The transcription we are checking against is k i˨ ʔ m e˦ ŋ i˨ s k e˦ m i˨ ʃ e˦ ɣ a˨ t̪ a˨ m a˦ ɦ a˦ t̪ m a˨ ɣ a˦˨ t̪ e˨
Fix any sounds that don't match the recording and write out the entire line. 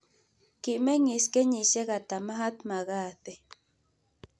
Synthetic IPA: k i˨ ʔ m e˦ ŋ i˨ s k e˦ ɲ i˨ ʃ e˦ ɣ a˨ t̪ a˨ m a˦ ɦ a˦ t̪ m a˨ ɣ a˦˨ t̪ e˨